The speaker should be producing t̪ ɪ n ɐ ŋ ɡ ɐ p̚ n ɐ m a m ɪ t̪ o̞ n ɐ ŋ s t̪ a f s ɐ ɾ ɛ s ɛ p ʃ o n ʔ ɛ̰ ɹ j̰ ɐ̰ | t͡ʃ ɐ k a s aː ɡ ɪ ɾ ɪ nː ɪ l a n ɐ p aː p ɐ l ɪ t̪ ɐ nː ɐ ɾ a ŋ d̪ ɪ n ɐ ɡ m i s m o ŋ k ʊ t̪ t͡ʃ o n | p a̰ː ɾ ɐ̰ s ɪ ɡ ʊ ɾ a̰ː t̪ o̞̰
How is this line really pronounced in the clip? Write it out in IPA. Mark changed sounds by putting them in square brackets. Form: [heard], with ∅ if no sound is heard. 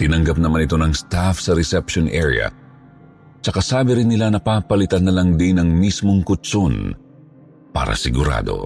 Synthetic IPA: t̪ ɪ n ɐ ŋ ɡ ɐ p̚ n ɐ m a [n] ɪ t̪ o̞ n ɐ ŋ s t̪ a f s ɐ ɾ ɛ s ɛ p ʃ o n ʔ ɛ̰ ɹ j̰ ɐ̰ | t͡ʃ ɐ k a s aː [b] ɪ ɾ ɪ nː ɪ l a n ɐ p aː p ɐ l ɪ t̪ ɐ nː ɐ [l] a ŋ d̪ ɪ n ɐ [ŋ] m i s m o ŋ k ʊ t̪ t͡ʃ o n | p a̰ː ɾ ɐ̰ s ɪ ɡ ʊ ɾ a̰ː [d̪] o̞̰